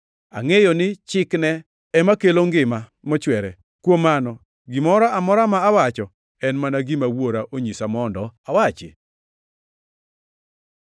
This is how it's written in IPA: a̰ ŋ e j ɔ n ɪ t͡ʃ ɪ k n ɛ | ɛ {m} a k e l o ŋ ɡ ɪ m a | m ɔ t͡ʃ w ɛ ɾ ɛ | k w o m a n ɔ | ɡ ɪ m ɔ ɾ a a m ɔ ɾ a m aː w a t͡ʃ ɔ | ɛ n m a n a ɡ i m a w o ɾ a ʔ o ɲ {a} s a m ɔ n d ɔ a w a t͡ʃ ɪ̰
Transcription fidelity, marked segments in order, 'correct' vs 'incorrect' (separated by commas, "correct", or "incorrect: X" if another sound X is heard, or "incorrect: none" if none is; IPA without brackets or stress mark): correct, incorrect: i